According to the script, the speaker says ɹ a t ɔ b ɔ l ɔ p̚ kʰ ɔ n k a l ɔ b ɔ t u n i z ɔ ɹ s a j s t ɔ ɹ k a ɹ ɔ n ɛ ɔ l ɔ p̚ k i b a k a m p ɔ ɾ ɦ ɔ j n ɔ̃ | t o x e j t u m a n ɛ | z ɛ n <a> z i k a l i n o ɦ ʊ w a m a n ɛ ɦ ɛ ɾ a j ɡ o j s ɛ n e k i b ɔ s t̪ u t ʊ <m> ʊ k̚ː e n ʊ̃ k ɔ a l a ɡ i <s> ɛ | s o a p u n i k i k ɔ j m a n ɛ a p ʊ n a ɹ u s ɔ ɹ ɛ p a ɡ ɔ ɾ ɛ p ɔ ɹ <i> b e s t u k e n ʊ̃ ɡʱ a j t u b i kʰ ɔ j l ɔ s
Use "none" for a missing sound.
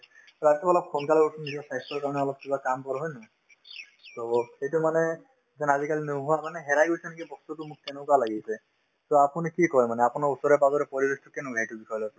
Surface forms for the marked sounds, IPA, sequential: a, m, s, i

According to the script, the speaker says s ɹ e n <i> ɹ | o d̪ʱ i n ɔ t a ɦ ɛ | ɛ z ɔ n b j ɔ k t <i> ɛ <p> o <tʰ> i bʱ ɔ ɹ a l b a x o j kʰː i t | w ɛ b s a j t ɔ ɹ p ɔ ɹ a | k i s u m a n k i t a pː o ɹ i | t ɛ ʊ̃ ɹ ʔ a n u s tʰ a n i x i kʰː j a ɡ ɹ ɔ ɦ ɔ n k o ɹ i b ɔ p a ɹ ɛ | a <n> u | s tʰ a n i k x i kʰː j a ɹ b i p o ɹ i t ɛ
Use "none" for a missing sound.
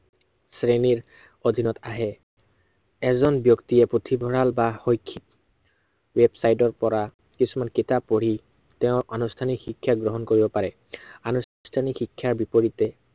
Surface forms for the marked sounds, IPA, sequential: i, i, p, tʰ, n

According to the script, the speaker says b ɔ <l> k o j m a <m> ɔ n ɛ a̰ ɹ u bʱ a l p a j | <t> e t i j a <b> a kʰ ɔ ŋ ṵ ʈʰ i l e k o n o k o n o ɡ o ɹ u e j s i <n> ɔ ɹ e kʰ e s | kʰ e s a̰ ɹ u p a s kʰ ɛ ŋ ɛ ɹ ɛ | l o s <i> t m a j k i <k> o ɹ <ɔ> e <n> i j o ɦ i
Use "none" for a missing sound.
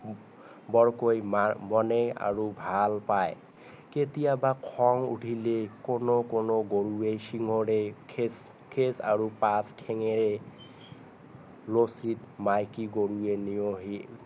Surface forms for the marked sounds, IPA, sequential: ɹ, m, k, b, ŋ, i, ɡ, u, n

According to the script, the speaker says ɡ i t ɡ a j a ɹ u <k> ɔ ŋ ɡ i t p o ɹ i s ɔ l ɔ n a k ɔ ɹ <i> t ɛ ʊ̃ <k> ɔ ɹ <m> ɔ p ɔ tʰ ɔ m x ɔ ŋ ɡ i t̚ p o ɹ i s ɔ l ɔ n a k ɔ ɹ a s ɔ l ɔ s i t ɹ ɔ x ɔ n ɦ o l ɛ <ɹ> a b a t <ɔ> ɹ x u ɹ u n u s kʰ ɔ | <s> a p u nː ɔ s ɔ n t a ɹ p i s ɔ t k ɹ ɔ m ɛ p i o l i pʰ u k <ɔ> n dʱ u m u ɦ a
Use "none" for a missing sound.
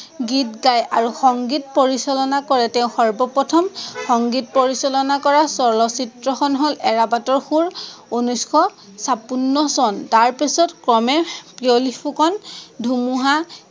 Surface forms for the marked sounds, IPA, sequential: x, ɛ, x, b, ɹ, ɔ, s, ɔ

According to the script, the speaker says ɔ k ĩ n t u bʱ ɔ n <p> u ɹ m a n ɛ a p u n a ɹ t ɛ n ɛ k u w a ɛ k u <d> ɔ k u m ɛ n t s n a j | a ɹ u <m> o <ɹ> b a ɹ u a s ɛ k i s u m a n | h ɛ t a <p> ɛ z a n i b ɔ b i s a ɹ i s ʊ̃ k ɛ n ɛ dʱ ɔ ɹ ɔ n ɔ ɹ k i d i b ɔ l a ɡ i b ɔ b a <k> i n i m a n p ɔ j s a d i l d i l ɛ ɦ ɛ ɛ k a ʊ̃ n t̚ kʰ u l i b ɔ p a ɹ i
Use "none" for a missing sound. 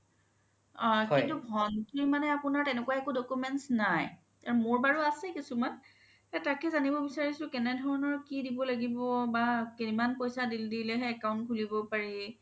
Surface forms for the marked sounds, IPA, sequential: t, d, m, ɹ, k, k

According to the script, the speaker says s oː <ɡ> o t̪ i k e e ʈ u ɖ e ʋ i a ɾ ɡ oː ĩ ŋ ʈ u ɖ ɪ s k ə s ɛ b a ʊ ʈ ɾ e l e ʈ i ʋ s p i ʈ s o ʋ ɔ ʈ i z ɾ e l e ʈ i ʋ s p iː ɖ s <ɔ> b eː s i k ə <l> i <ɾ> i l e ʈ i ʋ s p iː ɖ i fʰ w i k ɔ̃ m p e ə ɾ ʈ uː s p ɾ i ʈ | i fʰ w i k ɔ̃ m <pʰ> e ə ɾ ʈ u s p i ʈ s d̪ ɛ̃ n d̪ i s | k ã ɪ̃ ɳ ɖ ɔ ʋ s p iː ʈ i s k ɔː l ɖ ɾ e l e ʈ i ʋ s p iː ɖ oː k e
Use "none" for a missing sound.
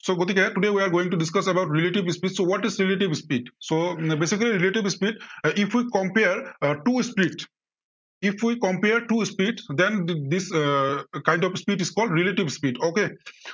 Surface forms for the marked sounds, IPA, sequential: ɡ, o, l, ɾ, p

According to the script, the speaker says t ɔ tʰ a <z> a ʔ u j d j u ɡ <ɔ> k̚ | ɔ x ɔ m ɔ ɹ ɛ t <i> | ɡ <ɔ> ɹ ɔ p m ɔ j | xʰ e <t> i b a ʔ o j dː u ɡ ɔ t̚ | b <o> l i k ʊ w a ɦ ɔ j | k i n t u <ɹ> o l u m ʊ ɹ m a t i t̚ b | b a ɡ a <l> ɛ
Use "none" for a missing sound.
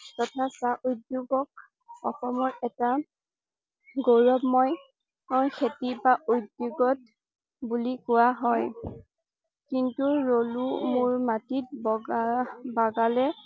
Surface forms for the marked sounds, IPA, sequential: s, ɔ, a, o, t, u, ɹ, l

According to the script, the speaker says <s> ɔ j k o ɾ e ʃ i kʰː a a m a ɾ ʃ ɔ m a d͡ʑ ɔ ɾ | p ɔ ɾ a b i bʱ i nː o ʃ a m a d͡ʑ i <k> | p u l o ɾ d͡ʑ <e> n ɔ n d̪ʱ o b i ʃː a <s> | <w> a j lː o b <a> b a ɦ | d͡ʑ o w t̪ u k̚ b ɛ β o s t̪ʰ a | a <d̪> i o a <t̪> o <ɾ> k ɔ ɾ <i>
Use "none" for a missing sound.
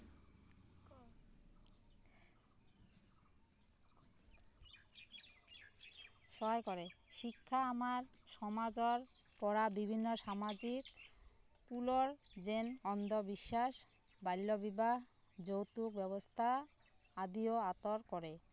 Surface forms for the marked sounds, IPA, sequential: ʃ, k, e, ʃ, b, i, d̪, t̪, ɾ, e

